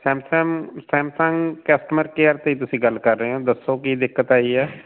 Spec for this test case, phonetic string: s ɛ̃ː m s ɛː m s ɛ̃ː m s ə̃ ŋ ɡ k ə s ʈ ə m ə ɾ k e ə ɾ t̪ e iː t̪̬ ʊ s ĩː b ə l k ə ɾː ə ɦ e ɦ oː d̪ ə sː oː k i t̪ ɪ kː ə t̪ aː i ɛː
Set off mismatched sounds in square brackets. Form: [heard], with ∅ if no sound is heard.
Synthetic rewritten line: s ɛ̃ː m s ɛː m s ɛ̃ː m s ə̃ ŋ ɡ k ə s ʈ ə m ə ɾ k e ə ɾ t̪ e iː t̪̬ ʊ s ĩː [ɡ] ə l k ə ɾː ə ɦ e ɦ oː d̪ ə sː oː k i [d̪] ɪ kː ə t̪ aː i ɛː